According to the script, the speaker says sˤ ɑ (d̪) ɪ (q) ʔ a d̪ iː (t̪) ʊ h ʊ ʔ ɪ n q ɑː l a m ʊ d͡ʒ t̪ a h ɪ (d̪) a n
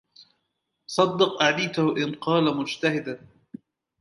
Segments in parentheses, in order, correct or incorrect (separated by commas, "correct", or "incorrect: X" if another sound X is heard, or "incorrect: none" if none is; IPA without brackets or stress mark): incorrect: d̪ː, correct, correct, correct